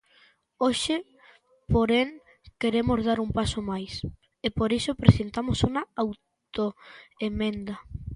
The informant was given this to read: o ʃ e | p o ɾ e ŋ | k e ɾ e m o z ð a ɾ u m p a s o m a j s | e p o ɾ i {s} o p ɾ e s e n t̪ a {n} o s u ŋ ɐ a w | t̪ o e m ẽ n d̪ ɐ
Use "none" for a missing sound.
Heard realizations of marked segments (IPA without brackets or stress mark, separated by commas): s, m